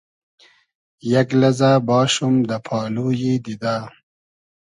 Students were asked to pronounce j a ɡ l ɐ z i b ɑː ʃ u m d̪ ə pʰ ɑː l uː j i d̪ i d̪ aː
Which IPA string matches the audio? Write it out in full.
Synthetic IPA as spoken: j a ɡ l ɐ z a b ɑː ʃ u m d̪ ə pʰ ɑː l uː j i d̪ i d̪ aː

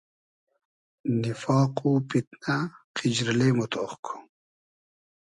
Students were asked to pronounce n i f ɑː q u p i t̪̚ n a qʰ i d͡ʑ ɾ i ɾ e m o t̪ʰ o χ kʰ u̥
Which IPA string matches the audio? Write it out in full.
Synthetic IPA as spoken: n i f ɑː q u p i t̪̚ n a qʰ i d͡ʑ ɾ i l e m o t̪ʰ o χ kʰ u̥

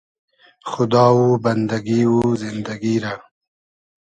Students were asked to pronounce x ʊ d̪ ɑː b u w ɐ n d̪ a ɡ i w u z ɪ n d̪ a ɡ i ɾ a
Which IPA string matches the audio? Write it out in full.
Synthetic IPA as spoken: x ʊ d̪ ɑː w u b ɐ n d̪ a ɡ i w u z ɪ n d̪ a ɡ i ɾ a

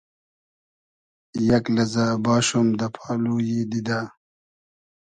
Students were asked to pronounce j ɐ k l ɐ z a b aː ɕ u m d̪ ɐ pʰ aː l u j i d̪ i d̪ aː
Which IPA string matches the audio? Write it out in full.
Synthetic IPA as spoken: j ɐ k l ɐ z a b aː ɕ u m d̪ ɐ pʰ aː l u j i d̪ i d̪ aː

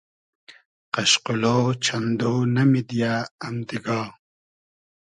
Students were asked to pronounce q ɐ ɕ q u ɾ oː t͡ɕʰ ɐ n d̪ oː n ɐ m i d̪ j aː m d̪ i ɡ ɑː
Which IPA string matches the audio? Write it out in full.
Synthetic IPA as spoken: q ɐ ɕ q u l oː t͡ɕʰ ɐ n d̪ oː n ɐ m i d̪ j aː m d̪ i ɡ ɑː

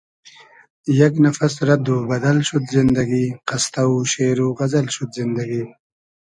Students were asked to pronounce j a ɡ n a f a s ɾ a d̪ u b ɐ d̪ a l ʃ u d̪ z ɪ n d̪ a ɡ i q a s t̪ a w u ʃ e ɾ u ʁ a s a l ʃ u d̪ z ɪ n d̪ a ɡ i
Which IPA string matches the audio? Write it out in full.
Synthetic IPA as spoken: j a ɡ n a f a s ɾ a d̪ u b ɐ d̪ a l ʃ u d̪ z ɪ n d̪ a ɡ i q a s t̪ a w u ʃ e ɾ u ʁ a z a l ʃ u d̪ z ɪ n d̪ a ɡ i

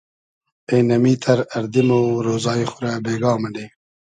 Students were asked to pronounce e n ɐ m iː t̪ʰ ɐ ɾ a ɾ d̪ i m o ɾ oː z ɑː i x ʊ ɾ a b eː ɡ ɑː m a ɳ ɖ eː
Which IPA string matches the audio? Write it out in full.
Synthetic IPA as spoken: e n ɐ m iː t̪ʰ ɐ ɾ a ɾ d̪ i m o ɾ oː z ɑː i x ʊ ɾ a b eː ɡ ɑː m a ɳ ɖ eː

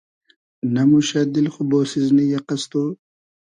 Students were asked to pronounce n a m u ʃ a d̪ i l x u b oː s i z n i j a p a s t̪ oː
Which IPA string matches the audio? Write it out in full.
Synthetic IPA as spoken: n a m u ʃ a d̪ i l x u b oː s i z n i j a q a s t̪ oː

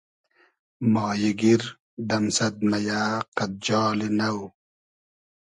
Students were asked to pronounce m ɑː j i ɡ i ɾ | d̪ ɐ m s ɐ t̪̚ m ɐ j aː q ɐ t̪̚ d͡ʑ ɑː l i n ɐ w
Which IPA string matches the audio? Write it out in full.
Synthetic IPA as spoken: m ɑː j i ɡ i ɾ | d̪ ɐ m s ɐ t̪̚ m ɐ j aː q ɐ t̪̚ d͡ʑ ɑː l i n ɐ w

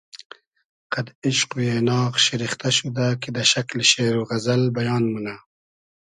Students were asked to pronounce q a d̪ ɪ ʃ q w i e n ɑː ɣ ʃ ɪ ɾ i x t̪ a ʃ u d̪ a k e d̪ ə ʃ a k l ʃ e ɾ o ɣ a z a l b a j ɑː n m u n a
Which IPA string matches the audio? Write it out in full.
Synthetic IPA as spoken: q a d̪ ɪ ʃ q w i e n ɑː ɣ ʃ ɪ ɾ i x t̪ a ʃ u d̪ a k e d̪ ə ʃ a k l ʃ e ɾ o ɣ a z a l b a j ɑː n m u n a

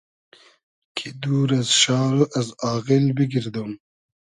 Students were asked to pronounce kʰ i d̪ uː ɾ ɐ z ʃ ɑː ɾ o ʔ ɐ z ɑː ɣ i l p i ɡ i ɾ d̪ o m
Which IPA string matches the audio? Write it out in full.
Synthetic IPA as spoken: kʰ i d̪ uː ɾ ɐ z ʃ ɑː ɾ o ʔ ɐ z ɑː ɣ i l b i ɡ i ɾ d̪ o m

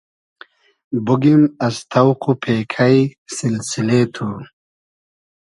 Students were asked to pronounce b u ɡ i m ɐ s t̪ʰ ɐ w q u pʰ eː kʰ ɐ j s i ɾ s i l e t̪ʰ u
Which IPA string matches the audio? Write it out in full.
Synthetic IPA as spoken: b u ɡ i m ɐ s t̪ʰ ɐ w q u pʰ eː kʰ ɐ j s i l s i l e t̪ʰ u

